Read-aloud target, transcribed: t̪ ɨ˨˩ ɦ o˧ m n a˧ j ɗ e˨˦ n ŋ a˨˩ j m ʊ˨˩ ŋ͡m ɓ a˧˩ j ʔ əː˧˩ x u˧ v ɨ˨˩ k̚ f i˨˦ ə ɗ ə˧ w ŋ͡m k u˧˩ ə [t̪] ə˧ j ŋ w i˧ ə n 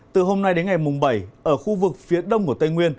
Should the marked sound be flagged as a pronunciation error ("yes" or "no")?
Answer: no